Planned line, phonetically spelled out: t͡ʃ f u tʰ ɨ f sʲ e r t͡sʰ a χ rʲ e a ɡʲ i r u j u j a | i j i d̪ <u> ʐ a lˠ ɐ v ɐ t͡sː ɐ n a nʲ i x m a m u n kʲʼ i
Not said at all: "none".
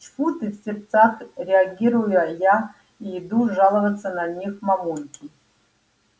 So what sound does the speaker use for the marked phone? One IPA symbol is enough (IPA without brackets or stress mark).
u